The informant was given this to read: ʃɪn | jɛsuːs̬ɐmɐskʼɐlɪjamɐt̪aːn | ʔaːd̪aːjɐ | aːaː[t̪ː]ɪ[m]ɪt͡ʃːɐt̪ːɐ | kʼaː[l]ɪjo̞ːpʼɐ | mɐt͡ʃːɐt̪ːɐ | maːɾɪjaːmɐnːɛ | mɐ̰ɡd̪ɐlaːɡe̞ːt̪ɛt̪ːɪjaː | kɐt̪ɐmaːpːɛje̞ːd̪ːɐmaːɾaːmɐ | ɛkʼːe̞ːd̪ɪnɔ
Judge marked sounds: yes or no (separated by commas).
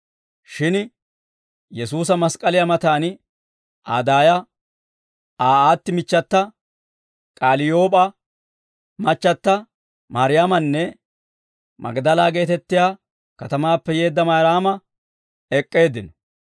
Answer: yes, yes, yes